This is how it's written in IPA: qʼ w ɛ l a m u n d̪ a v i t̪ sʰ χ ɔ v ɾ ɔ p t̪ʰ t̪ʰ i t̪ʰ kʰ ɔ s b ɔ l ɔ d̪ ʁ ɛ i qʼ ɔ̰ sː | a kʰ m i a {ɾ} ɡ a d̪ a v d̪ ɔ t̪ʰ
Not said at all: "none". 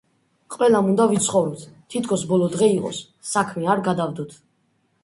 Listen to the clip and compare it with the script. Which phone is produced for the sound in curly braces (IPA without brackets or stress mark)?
ɾ